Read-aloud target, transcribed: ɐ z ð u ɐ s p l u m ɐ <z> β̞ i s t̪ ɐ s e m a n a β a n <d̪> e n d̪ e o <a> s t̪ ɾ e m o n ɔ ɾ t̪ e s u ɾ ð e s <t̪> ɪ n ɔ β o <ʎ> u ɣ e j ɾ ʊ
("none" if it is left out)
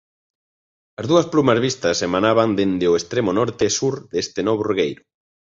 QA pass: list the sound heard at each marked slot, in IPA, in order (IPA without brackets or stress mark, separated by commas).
z, d̪, e, t̪, r